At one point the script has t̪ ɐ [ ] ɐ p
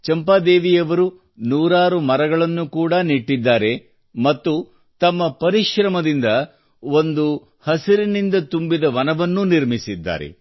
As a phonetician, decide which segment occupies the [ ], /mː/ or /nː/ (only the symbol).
mː